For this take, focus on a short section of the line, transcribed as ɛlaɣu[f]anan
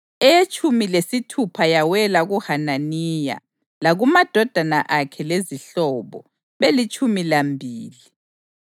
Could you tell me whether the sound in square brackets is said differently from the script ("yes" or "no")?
yes